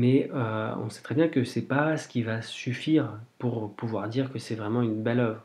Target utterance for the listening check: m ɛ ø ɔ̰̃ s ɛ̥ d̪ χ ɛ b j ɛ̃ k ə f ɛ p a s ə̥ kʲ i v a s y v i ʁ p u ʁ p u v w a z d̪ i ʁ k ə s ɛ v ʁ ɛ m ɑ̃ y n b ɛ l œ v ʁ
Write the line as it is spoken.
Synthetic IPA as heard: m ɛ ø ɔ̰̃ s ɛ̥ t̪ χ ɛ b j ɛ̃ k ə s ɛ p a s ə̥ kʲ i v a s y f i ʁ p u ʁ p u v w a ʁ d̪ i ʁ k ə s ɛ v ʁ ɛ m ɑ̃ y n b ɛ l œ v ʁ

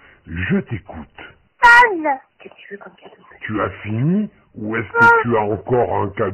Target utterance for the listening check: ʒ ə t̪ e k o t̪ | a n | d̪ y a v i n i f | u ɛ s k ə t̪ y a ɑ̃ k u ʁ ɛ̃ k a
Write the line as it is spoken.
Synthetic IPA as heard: ʒ ə t̪ e k u t̪ | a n | t̪ y a f i n i | u ɛ s k ə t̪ y a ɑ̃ k ɔ ʁ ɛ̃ k a

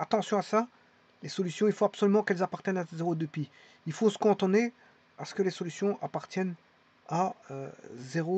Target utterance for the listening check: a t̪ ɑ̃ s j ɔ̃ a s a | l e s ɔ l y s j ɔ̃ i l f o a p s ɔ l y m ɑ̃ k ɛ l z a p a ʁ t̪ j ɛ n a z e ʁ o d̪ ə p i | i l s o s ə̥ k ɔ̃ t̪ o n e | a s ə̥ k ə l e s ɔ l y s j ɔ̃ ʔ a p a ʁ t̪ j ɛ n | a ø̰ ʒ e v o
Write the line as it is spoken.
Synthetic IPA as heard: a t̪ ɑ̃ s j ɔ̃ a s a | l e s ɔ l y s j ɔ̃ i l f o a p s ɔ l y m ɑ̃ k ɛ l z a p a ʁ t̪ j ɛ n a z e ʁ o d̪ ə p i | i l f o s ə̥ k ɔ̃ t̪ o n e | a s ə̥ k ə l e s ɔ l y s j ɔ̃ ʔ a p a ʁ t̪ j ɛ n | a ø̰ z e ʁ o

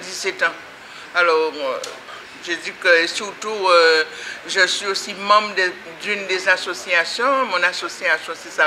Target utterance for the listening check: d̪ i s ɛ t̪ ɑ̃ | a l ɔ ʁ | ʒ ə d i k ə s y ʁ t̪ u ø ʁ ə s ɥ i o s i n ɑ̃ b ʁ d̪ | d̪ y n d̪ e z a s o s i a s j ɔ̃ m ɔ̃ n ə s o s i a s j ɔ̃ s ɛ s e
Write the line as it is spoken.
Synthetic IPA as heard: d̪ i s ɛ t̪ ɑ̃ | a l ɔ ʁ | ʒ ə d i k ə s y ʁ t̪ u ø ʒ ə s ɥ i o s i m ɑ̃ b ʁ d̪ | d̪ y n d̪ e z a s o s i a s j ɔ̃ m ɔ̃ n a s o s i a s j ɔ̃ s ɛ s a

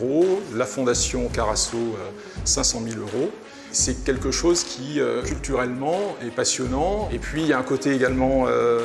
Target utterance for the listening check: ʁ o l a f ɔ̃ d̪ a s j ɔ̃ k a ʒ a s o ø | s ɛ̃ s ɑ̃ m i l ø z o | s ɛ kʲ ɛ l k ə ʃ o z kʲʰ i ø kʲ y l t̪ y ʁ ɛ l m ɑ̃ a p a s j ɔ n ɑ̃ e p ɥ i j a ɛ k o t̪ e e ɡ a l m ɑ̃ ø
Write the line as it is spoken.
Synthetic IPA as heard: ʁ o l a f ɔ̃ d̪ a s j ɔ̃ k a ʁ a s o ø | s ɛ̃ s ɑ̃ m i l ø ʁ o | s ɛ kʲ ɛ l k ə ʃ o z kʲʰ i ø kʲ y l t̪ y ʁ ɛ l m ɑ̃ ɛ p a s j ɔ n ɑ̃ e p ɥ i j a ɛ̃ k o t̪ e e ɡ a l m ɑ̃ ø

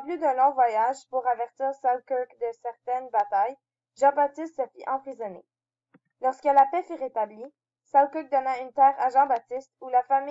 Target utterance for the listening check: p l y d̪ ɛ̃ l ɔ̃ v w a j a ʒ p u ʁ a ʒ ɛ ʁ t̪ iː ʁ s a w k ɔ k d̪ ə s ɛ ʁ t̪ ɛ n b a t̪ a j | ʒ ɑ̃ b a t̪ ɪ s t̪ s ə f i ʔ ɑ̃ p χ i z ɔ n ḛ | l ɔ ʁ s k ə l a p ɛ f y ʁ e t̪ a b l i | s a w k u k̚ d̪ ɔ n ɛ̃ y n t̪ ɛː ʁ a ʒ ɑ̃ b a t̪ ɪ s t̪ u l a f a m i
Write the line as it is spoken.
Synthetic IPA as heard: p l y d̪ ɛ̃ l ɔ̃ v w a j a ʒ p u ʁ a v ɛ ʁ t̪ iː ʁ s a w k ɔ k d̪ ə s ɛ ʁ t̪ ɛ n b a t̪ a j | ʒ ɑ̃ b a t̪ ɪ s t̪ s ə f i ʔ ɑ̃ p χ i z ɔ n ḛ | l ɔ ʁ s k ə l a p ɛ f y ʁ e t̪ a b l i | s a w k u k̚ d̪ ɔ n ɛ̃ y n t̪ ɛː ʁ a ʒ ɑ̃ b a t̪ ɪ s t̪ u l a f a m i

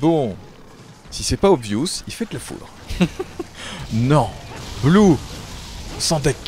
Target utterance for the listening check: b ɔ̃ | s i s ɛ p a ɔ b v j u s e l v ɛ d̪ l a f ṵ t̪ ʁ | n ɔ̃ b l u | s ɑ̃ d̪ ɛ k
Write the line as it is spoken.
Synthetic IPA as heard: b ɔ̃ | s i s ɛ p a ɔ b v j u s i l f ɛ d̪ l a f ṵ d̪ ʁ | n ɔ̃ b l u | s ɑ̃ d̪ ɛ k

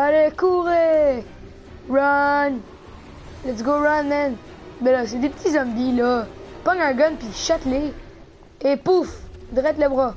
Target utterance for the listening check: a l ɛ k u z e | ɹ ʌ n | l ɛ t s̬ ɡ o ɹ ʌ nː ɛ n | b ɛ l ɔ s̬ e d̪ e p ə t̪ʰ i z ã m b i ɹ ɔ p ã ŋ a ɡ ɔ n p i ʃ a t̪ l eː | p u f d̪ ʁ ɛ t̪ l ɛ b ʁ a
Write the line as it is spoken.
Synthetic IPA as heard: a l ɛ k u ʁ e | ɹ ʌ n | l ɛ t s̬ ɡ o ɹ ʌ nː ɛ n | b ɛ l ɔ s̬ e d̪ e p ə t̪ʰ i z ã m b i l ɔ p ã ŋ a ɡ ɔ n p i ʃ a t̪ l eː | p u f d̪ ʁ ɛ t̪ l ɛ b ʁ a

